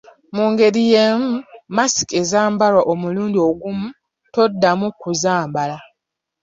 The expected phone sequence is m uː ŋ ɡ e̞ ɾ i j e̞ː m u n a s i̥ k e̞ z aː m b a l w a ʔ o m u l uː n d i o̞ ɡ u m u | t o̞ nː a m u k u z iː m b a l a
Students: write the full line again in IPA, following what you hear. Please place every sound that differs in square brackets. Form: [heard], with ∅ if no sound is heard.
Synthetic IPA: m uː ŋ ɡ e̞ ɾ i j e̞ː m u [m] a s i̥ k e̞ z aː m b a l w a ʔ o m u l uː n d i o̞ ɡ u m u | t o̞ [dː] a m u k u z [aː] m b a l a